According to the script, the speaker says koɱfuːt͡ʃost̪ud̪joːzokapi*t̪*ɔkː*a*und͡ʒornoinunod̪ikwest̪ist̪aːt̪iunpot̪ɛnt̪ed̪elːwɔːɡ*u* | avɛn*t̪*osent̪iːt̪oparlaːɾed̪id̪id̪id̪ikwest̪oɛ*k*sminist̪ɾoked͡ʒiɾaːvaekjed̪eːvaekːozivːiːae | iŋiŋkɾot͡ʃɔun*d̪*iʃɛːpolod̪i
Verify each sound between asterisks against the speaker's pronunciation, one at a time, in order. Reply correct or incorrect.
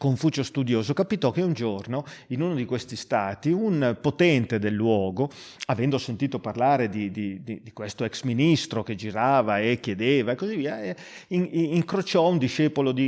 correct, incorrect, incorrect, incorrect, correct, correct

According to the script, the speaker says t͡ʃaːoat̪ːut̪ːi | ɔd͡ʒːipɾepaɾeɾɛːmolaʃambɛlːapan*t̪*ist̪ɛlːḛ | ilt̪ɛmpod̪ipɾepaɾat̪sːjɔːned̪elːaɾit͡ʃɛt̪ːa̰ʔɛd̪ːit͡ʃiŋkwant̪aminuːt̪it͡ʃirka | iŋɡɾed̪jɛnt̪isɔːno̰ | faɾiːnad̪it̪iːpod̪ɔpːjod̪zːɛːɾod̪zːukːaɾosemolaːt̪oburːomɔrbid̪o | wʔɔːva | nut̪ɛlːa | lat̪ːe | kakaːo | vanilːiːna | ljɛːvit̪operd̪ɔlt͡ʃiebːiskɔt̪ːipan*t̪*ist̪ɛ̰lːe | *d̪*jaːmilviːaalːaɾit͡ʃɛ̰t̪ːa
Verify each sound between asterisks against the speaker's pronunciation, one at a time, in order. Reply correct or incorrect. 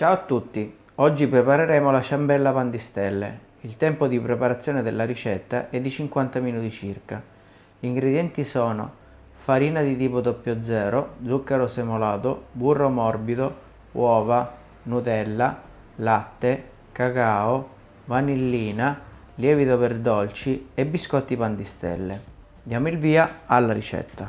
incorrect, incorrect, correct

